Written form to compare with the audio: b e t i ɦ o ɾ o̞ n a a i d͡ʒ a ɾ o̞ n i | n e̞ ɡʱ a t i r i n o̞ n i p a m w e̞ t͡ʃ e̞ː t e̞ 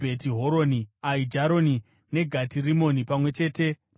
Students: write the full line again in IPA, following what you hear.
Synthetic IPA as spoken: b e t i ɦ o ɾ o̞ n i a i d͡ʒ a ɾ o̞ n i | n e̞ ɡʱ a t i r i m o̞ n i p a m w e̞ t͡ʃ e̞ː t e̞

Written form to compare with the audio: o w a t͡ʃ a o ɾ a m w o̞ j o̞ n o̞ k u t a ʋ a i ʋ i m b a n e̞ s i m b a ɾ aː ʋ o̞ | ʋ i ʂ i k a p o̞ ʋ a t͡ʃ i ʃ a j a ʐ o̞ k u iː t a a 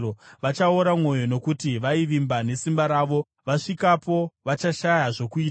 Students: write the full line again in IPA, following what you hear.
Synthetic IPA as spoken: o ʋ a t͡ʃ a o ɾ a m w o̞ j o̞ n o̞ k u t i ʋ a i ʋ i m b a n e̞ s i m b a ɾ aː ʋ o̞ | ʋ a ʂ i k a p o̞ ʋ a t͡ʃ a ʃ a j a ʐ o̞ k u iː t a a

